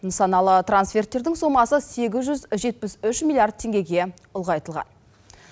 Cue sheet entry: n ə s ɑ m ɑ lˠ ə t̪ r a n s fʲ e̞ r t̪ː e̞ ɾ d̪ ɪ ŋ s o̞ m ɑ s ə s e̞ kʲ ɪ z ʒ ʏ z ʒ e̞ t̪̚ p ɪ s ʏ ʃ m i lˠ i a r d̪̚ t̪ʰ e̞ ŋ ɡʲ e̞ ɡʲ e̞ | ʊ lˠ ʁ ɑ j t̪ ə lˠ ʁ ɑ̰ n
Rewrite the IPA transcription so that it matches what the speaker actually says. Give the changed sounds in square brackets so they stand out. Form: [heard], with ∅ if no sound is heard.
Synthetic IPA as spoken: n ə s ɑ [n] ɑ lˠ ə t̪ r a n s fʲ e̞ r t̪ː e̞ ɾ d̪ ɪ ŋ s o̞ m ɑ s ə s e̞ [ɡʲ] ɪ z ʒ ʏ z ʒ e̞ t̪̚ p ɪ s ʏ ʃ m i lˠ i a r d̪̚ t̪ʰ e̞ ŋ ɡʲ e̞ ɡʲ e̞ | ʊ lˠ ʁ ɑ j t̪ ə lˠ ʁ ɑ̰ n